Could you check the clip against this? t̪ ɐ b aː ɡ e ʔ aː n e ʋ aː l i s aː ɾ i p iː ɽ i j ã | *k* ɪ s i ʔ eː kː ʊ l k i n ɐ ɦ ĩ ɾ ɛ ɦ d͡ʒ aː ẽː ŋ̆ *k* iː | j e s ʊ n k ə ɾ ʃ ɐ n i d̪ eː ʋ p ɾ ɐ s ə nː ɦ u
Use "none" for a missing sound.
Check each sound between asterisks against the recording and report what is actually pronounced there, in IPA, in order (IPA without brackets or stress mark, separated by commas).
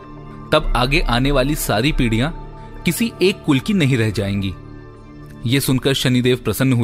k, ɡ